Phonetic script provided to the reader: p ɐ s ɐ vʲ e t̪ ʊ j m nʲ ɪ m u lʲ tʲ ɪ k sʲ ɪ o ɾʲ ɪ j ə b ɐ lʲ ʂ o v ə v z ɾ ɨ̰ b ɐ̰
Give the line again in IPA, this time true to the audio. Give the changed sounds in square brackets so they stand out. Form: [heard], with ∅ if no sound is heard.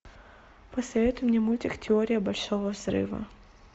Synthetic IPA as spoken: p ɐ s ɐ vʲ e t̪ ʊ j m nʲ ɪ m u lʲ tʲ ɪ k [tʲ] ɪ o ɾʲ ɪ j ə b ɐ lʲ ʂ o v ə v z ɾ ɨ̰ [v] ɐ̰